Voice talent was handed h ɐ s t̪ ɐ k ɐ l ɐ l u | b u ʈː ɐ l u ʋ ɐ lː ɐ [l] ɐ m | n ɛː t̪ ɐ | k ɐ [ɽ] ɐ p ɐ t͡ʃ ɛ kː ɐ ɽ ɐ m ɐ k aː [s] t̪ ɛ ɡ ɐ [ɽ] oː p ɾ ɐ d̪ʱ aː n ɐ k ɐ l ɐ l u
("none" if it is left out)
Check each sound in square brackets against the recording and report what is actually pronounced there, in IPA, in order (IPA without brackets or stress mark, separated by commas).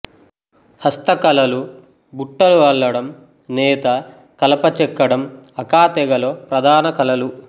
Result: ɽ, l, none, l